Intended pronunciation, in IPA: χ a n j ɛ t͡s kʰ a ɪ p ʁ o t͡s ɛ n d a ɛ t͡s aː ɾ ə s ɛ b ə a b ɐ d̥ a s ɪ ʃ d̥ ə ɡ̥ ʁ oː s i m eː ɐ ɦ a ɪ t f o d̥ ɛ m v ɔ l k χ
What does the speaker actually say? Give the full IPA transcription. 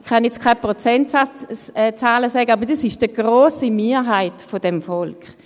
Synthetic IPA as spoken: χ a n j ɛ t͡s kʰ a ɪ p ʁ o t͡s ɛ n t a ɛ t͡s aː l ə s ɛ ɡ ə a b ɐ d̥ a s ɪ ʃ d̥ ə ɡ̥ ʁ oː s i m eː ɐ ɦ a ɪ t f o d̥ ɛ m f ɔ l k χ